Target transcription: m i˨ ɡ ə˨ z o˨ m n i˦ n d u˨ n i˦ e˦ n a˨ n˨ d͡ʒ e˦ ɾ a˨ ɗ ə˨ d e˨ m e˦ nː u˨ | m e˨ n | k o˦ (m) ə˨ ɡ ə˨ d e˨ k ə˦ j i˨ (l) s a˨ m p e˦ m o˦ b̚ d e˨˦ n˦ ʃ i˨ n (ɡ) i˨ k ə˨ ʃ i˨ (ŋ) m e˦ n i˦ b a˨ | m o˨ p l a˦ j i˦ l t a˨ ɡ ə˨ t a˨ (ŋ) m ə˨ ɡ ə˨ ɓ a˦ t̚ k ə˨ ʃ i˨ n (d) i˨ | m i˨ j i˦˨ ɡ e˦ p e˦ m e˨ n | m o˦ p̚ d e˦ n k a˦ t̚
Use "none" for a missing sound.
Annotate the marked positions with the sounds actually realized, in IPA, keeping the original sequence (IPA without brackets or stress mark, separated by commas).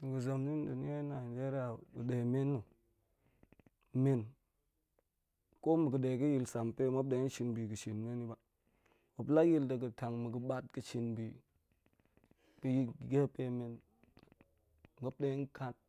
m, l, b, n, ŋ, b